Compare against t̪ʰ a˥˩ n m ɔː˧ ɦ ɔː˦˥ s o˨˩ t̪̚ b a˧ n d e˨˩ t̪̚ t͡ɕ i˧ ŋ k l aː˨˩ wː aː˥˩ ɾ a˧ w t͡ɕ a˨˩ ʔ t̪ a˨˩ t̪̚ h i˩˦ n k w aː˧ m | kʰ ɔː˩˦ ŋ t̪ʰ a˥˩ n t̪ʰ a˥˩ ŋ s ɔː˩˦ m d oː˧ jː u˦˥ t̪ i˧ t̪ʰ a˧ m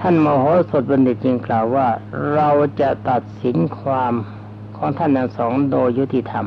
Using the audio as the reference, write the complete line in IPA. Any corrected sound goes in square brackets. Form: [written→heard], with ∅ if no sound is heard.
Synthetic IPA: t̪ʰ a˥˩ n m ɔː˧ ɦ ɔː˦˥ s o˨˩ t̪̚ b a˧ n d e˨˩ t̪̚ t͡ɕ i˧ ŋ k l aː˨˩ wː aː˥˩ ɾ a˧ w t͡ɕ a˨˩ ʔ t̪ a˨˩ t̪̚ [h→s] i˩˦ n [k→kʰ] w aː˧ m | kʰ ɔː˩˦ ŋ t̪ʰ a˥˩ n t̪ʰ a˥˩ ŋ s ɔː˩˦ [m→ŋ] d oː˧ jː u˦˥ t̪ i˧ t̪ʰ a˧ m